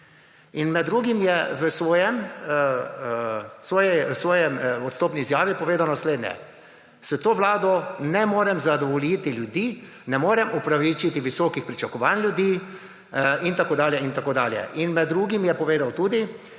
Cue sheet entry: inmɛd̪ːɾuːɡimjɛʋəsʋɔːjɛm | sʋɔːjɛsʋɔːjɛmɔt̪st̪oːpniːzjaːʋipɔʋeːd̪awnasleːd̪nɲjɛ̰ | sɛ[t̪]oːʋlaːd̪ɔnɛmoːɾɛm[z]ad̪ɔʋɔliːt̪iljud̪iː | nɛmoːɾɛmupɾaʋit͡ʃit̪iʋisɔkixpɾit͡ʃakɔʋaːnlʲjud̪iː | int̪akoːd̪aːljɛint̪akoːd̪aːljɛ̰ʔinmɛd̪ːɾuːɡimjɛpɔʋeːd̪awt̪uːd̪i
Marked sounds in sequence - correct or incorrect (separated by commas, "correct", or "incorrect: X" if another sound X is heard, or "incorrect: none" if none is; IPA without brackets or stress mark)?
correct, correct